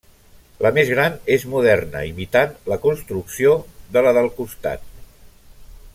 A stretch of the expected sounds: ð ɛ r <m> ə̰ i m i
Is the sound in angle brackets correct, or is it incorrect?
incorrect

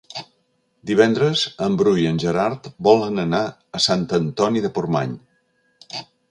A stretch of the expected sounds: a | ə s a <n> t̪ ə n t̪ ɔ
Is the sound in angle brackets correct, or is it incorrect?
correct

